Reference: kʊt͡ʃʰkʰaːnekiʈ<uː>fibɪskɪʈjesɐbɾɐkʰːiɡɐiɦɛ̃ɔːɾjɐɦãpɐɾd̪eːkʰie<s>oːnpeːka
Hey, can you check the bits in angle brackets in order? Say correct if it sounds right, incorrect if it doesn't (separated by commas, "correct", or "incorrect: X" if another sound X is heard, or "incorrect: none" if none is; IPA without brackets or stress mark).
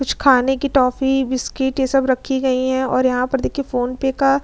incorrect: ɔː, incorrect: f